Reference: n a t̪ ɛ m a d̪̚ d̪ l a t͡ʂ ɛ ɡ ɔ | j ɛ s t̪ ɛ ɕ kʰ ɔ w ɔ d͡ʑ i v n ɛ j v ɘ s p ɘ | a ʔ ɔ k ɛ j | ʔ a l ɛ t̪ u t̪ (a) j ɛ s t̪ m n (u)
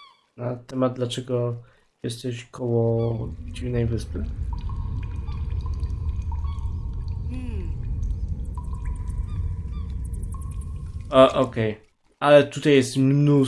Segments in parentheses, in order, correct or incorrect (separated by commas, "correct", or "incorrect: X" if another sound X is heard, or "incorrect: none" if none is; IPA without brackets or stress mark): correct, correct